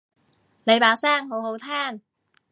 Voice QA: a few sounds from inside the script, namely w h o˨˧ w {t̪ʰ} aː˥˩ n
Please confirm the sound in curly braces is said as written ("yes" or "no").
yes